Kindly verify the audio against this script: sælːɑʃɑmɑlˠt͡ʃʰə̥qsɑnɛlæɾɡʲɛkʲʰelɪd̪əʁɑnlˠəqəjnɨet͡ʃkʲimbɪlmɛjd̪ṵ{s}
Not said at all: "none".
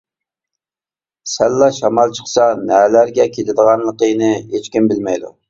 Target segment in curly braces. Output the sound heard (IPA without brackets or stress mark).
none